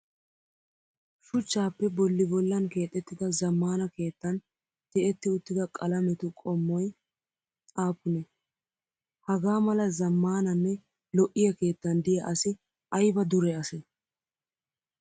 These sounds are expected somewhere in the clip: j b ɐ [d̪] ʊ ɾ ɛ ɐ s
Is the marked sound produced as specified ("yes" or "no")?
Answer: yes